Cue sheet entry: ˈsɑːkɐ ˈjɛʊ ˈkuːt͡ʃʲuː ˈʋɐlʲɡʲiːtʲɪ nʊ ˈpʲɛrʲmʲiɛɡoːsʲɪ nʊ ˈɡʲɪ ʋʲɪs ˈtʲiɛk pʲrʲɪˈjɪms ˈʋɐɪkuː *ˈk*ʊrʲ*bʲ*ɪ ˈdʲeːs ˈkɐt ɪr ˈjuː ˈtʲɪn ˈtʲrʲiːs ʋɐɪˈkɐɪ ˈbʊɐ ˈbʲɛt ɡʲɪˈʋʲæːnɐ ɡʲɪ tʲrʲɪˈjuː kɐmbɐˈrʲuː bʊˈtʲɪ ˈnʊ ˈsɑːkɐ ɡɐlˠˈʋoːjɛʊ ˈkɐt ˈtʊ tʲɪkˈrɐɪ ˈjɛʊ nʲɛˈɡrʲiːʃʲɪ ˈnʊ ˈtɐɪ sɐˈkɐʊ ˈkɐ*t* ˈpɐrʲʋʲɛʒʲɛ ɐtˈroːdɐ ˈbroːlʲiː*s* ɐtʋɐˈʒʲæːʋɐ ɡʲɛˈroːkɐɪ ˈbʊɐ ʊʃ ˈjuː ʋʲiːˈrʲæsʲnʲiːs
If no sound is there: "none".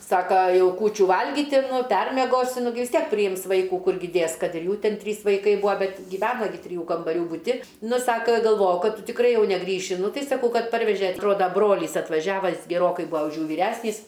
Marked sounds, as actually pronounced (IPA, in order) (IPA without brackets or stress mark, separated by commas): k, ɡʲ, t, s